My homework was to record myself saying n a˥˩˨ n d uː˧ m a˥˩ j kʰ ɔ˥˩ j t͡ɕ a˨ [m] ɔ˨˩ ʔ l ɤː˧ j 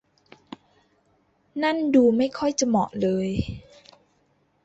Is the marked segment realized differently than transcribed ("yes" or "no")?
no